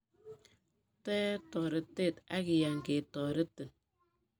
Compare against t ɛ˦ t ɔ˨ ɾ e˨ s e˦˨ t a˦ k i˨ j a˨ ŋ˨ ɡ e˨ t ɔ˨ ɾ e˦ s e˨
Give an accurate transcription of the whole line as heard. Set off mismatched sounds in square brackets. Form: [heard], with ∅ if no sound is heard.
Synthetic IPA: t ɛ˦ t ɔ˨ ɾ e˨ [t] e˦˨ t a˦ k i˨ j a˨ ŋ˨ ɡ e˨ t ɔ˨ ɾ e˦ [t] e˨